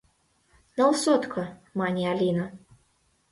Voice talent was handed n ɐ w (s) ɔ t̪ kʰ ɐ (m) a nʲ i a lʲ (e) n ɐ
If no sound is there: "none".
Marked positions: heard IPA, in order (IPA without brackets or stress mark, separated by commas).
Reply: s, m, i